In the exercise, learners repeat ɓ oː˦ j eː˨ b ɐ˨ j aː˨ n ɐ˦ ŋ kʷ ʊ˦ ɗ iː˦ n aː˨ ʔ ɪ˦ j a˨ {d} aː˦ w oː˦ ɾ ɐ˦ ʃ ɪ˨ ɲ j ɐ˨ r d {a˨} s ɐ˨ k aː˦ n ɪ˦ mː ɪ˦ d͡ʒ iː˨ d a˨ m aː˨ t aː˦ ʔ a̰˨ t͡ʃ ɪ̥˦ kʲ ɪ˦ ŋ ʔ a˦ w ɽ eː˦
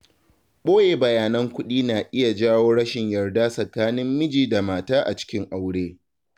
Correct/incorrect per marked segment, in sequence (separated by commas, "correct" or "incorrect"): incorrect, incorrect